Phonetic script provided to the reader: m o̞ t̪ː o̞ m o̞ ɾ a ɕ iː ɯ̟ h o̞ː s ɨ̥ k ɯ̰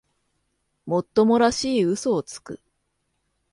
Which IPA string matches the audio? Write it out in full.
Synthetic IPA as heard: m o̞ t̪ː o̞ m o̞ ɾ a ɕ iː ɯ̟ s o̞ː t͡s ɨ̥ k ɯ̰